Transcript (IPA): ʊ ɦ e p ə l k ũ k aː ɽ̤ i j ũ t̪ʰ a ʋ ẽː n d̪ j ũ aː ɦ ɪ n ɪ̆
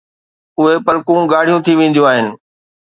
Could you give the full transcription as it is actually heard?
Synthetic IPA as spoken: ʊ ɦ e p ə l k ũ ɡ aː ɽ̤ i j ũ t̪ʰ i ʋ ẽː n d̪ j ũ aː ɦ ɪ n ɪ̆